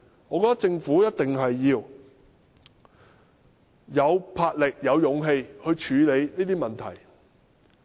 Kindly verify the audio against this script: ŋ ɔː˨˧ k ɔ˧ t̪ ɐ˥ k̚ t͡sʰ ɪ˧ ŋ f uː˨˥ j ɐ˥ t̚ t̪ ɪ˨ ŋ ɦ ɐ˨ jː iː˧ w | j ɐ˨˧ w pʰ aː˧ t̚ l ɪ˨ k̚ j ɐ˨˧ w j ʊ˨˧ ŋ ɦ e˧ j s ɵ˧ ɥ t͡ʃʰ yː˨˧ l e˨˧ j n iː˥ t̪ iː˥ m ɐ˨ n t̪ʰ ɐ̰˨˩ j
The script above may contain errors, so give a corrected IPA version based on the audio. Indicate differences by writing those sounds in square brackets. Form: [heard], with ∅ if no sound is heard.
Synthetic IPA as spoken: ŋ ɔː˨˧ k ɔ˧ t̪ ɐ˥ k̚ [t͡s] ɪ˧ ŋ f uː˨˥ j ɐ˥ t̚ t̪ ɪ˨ ŋ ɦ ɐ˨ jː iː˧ w | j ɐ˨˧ w pʰ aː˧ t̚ l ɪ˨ k̚ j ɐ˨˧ w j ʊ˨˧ ŋ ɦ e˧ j [h] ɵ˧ ɥ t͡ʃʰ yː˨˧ l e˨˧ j n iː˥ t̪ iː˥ m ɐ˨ n t̪ʰ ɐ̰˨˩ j